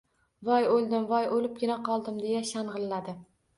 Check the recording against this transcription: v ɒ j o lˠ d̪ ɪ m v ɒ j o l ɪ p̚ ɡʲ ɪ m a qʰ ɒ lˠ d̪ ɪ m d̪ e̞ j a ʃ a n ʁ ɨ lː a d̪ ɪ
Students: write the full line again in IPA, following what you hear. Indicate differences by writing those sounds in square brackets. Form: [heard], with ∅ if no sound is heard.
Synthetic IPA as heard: v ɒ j o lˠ d̪ ɪ m v ɒ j o l ɪ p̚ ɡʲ ɪ [n] a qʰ ɒ lˠ d̪ ɪ m d̪ e̞ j a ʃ a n ʁ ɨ lː a d̪ ɪ